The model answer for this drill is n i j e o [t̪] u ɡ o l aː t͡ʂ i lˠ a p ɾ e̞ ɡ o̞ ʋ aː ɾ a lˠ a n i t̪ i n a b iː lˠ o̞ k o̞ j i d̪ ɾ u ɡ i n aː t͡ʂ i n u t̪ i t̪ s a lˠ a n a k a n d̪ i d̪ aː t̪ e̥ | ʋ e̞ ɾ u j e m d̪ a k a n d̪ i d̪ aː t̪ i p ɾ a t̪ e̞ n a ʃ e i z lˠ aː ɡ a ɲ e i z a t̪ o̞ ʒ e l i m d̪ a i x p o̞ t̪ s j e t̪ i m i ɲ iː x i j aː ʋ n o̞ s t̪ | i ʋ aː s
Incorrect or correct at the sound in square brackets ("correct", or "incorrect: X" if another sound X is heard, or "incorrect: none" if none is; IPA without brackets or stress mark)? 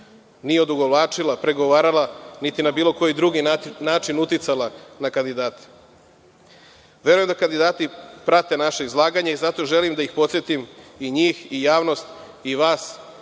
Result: incorrect: d̪